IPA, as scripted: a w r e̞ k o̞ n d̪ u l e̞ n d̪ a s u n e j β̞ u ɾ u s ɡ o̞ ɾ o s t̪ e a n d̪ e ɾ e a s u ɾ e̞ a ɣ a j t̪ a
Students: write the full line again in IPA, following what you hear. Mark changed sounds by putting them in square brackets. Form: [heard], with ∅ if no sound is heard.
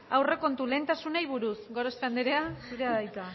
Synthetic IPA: a w r e̞ k o̞ n [t̪] u l e̞ n [t̪] a s u n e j β̞ u ɾ u s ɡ o̞ ɾ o s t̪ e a n d̪ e ɾ e a s u ɾ e̞ a [ð] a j t̪ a